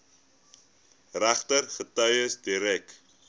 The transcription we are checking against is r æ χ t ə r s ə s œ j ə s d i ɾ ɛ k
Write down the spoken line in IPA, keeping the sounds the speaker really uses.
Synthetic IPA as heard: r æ χ t ə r χ ə t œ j ə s d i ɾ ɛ k